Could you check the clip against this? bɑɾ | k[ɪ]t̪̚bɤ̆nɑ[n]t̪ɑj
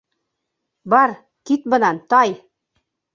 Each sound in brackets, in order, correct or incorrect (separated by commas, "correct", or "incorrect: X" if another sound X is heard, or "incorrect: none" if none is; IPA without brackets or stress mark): incorrect: i, correct